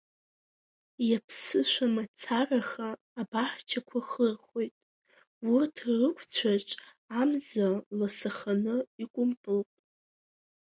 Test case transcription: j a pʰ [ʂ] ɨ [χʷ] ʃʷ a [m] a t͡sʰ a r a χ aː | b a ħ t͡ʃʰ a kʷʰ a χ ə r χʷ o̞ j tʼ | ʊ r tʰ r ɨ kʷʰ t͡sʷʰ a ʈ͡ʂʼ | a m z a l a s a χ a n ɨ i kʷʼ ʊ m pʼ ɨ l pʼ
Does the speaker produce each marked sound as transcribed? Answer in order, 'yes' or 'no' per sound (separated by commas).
no, no, yes